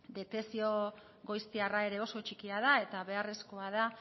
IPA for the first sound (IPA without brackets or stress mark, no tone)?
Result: d̪